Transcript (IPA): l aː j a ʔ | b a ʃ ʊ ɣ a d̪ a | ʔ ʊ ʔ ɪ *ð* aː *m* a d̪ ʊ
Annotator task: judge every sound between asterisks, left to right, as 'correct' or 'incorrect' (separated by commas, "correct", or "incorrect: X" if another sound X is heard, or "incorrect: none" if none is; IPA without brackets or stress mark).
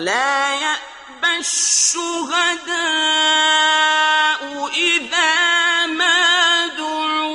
correct, correct